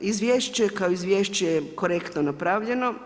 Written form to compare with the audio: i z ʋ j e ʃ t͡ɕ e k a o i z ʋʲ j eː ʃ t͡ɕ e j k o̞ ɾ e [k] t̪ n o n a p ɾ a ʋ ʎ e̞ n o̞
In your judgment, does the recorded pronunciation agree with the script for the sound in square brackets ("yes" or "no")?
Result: yes